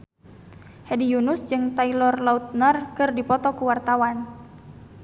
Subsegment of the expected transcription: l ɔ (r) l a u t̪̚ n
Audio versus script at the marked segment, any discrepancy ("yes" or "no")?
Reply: no